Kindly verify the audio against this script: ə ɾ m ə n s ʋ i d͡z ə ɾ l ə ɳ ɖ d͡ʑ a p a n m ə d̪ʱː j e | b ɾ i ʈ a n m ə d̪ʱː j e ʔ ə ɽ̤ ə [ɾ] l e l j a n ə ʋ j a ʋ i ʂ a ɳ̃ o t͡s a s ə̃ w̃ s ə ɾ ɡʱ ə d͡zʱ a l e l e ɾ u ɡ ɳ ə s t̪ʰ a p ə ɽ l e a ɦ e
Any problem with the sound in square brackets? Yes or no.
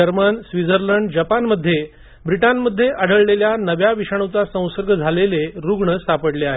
yes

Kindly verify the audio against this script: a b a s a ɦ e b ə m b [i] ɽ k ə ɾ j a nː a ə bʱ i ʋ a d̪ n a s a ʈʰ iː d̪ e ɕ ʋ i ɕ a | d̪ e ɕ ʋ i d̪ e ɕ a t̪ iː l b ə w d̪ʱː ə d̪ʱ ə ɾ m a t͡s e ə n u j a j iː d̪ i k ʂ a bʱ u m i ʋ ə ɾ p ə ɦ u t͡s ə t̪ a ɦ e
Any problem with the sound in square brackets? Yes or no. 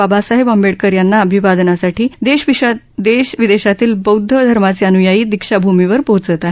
yes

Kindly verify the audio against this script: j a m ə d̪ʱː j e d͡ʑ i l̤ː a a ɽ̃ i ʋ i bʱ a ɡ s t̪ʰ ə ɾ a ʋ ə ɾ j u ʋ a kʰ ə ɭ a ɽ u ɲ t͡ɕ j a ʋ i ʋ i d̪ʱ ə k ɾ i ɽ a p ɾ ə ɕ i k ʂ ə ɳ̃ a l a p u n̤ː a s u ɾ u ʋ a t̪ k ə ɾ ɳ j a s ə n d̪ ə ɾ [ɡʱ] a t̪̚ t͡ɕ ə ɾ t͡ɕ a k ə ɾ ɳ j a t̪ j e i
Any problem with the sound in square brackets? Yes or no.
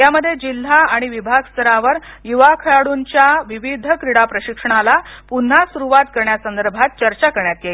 yes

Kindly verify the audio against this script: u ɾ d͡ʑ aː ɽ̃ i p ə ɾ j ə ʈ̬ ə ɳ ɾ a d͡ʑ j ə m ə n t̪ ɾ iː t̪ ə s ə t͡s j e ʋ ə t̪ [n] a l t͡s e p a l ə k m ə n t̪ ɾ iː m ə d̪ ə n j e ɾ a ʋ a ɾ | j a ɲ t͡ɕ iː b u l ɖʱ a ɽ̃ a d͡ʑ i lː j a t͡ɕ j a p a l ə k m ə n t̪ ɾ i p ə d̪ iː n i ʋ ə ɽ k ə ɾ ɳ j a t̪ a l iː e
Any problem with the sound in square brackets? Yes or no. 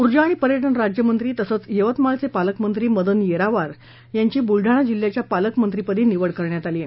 yes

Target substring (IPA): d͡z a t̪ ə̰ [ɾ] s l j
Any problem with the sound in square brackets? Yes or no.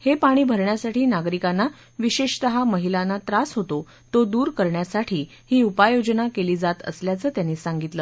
yes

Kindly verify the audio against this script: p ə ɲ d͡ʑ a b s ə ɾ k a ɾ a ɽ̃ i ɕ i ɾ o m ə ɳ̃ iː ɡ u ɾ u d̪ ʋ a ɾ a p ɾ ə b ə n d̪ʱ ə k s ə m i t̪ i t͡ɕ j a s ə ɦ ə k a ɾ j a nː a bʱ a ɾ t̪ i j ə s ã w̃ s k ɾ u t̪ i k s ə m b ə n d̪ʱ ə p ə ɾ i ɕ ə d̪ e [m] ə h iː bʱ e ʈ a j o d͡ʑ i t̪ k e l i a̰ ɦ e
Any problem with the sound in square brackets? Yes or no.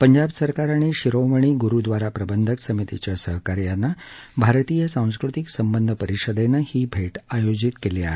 yes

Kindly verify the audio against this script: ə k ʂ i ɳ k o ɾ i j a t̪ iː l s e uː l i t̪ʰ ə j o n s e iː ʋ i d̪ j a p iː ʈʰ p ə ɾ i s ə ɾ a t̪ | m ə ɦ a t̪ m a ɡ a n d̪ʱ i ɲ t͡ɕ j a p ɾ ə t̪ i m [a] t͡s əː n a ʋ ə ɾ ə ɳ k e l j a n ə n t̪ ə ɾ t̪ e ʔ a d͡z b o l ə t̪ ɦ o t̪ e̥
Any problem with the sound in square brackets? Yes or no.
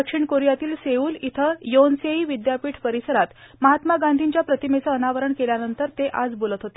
yes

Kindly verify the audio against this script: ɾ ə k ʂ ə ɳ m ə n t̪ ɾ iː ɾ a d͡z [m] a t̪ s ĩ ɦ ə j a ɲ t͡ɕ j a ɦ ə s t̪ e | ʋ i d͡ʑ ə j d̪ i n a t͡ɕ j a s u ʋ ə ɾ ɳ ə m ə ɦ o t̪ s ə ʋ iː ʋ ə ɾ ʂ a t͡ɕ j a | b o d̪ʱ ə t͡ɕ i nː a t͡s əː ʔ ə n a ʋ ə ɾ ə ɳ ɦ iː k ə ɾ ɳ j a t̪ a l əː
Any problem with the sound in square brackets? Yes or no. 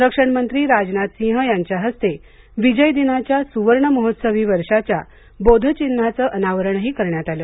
yes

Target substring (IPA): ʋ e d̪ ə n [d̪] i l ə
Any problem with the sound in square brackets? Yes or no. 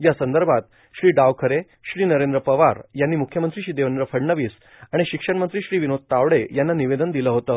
no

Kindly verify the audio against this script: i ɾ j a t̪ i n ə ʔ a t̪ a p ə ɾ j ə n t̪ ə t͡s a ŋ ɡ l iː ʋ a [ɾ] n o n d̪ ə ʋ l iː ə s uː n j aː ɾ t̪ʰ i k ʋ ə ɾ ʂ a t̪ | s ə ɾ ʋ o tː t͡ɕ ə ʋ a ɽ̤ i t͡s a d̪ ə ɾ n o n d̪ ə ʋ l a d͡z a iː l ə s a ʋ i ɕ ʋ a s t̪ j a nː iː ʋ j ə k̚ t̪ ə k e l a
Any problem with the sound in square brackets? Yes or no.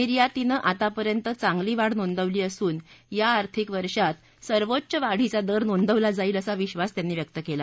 yes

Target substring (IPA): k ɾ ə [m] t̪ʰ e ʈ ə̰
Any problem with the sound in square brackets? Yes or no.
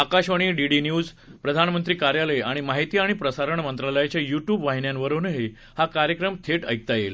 no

